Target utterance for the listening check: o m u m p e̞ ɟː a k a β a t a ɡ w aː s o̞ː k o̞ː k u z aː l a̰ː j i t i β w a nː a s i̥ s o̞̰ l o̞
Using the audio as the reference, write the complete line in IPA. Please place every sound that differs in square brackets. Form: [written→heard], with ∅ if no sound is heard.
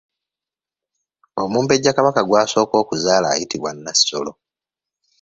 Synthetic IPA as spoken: o m [u→uː] m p e̞ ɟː a k a β a [t→k] a ɡ w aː s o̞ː k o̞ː k u z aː l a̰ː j i t i β w a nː a s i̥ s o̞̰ l o̞